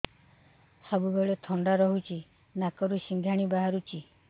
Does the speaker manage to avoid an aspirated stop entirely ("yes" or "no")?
no